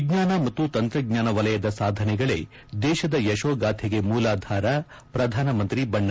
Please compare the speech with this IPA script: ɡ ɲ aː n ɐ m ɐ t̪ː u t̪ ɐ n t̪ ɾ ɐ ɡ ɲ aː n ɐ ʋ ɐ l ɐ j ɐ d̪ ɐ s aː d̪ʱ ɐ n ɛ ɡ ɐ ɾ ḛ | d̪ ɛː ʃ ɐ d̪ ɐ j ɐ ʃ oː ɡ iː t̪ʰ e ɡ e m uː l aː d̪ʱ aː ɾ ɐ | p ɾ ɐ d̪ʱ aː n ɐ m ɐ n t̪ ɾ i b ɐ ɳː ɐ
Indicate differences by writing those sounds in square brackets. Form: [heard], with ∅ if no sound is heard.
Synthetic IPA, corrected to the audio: ɡ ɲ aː n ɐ m ɐ t̪ː u t̪ ɐ n t̪ ɾ ɐ ɡ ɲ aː n ɐ ʋ ɐ l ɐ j ɐ d̪ ɐ s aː d̪ʱ ɐ n ɛ ɡ ɐ [ɭ] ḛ | d̪ ɛː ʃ ɐ d̪ ɐ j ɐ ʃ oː ɡ [aː] t̪ʰ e ɡ e m uː l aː d̪ʱ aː ɾ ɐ | p ɾ ɐ d̪ʱ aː n ɐ m ɐ n t̪ ɾ i b ɐ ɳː ɐ